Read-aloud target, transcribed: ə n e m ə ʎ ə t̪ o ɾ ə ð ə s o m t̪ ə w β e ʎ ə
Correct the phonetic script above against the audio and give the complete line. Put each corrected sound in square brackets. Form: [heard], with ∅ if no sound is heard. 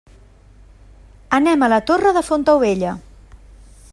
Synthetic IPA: ə n [ɛ] m ə [l] ə t̪ o [r] ə ð ə [f] o [n] t̪ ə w β e ʎ ə